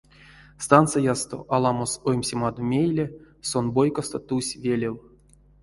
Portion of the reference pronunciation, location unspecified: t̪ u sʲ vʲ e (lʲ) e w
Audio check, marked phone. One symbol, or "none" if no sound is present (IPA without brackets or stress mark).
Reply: lʲ